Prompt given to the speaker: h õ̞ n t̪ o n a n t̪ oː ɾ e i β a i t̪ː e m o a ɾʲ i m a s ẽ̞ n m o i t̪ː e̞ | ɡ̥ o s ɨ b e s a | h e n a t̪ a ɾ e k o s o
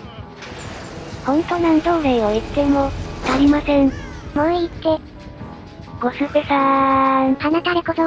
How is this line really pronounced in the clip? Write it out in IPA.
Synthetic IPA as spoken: h õ̞ n t̪ o n a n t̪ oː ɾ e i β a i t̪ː e m o a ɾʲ i m a s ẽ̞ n m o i t̪ː e̞ | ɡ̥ o s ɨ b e s a | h a n a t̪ a ɾ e k o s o

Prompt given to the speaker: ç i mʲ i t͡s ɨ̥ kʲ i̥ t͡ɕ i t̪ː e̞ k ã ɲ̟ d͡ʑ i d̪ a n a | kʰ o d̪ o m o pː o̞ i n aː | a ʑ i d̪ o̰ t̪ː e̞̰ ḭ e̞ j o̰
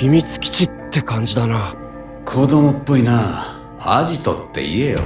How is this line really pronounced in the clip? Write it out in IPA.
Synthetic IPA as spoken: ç i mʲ i t͡s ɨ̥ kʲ i̥ t͡ɕ i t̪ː e̞ k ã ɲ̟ d͡ʑ i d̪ a n a | kʰ o d̪ o m o pː o̞ i n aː | a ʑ i t̪ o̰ t̪ː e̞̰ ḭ e̞ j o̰

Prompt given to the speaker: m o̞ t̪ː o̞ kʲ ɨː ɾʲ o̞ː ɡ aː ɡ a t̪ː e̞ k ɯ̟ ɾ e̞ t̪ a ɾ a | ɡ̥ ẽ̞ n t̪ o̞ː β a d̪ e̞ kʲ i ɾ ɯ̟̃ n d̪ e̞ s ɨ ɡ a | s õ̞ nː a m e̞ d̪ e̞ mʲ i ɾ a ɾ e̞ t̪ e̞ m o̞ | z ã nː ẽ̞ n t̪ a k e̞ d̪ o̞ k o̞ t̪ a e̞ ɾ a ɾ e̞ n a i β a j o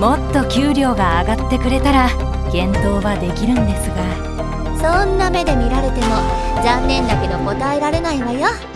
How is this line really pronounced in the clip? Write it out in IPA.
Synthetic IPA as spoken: m o̞ t̪ː o̞ kʲ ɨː ɾʲ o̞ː ɡ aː ɡ a t̪ː e̞ k ɯ̟ ɾ e̞ t̪ a ɾ a | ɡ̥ ẽ̞ n t̪ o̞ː β a d̪ e̞ kʲ i ɾ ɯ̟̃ n d̪ e̞ s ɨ ɡ a | s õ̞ nː a m e̞ d̪ e̞ mʲ i ɾ a ɾ e̞ t̪ e̞ m o̞ | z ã nː ẽ̞ n d̪ a k e̞ d̪ o̞ k o̞ t̪ a e̞ ɾ a ɾ e̞ n a i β a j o

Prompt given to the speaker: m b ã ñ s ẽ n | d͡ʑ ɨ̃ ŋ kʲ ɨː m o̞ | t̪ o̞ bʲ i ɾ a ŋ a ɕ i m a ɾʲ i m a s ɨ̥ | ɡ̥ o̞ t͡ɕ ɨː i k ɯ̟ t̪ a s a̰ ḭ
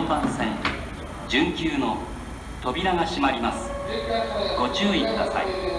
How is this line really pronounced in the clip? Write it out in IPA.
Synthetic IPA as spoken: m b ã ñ s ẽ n | d͡ʑ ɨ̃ ŋ kʲ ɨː n o̞ | t̪ o̞ bʲ i ɾ a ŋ a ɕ i m a ɾʲ i m a s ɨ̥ | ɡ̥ o̞ t͡ɕ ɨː i k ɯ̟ d̪ a s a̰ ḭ

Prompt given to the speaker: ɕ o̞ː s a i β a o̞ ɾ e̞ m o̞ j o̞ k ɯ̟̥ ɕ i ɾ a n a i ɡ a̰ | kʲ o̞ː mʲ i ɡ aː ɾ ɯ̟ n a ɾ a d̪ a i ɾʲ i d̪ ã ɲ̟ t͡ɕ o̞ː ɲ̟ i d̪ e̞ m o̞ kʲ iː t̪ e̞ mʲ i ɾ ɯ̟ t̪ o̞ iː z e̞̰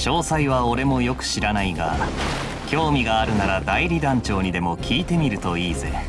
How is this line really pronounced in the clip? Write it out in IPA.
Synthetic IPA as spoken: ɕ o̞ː s a i β a o̞ ɾ e̞ m o̞ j o̞ k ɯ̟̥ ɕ i ɾ a n a i ɡ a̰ | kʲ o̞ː mʲ i ɡ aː ɾ ɯ̟ n a ɾ a d̪ a i ɾʲ i d̪ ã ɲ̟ t͡ɕ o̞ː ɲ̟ i d̪ e̞ m o̞ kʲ iː t̪ e̞ mʲ i ɾ ɯ̟ t̪ o̞ iː z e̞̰

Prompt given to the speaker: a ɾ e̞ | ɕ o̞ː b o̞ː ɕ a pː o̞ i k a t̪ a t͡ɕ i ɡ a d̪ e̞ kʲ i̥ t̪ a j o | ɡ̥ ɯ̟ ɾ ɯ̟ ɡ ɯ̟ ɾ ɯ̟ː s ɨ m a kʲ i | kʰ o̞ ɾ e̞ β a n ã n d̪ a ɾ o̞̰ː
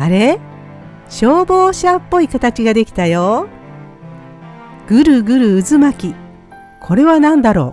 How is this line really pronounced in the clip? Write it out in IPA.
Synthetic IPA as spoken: a ɾ e̞ | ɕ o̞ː b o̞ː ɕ a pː o̞ i k a t̪ a t͡ɕ i ɡ a d̪ e̞ kʲ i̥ t̪ a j o | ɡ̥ ɯ̟ ɾ ɯ̟ ɡ ɯ̟ ɾ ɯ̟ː z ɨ m a kʲ i | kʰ o̞ ɾ e̞ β a n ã n d̪ a ɾ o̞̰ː

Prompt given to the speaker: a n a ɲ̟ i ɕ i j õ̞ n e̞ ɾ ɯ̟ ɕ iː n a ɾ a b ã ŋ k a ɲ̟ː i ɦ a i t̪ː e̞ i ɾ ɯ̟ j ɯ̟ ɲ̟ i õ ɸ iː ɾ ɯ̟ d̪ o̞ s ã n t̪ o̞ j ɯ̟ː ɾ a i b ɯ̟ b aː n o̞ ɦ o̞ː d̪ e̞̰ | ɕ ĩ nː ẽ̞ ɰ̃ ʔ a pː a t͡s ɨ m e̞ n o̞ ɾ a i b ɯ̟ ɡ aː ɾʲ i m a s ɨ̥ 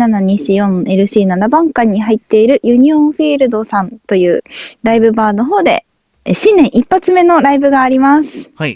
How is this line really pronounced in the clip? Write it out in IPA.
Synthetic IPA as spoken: a n a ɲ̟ i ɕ i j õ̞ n e̞ ɾ ɯ̟ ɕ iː n a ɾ a b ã ŋ k a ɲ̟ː i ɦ a i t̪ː e̞ i ɾ ɯ̟ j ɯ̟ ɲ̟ i õ ɸ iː ɾ ɯ̟ d̪ o̞ s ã n t̪ o̞ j ɯ̟ː ɾ a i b ɯ̟ b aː n o̞ ɦ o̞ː d̪ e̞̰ | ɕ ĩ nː ẽ̞ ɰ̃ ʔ i pː a t͡s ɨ m e̞ n o̞ ɾ a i b ɯ̟ ɡ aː ɾʲ i m a s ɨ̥

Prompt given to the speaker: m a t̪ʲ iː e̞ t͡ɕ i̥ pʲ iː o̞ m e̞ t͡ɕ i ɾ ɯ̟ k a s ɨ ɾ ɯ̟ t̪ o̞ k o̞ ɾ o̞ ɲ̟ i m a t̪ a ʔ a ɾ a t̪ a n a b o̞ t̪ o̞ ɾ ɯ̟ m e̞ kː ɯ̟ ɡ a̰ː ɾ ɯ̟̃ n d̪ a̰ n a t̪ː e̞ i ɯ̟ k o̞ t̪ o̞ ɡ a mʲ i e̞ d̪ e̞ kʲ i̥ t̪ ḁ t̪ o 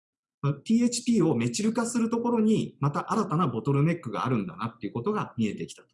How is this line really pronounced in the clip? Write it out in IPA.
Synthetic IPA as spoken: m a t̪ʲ iː e̞ t͡ɕ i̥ pʲ iː o̞ m e̞ t͡ɕ i ɾ ɯ̟ k a s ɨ ɾ ɯ̟ t̪ o̞ k o̞ ɾ o̞ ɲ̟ i m a t̪ a ʔ a ɾ a t̪ a n a b o̞ t̪ o̞ ɾ ɯ̟ m e̞ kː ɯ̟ ɡ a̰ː ɾ ɯ̟̃ n d̪ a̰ n a t̪ː e̞ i ɯ̟ k o̞ t̪ o̞ ɡ a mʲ i e̞ t̪ e̞ kʲ i̥ t̪ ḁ t̪ o

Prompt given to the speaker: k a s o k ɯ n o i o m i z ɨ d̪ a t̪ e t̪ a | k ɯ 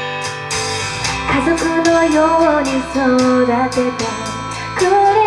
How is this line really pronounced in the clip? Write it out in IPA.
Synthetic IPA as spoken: k a z o k ɯ n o j o ɲ i s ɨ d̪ a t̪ e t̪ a | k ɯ

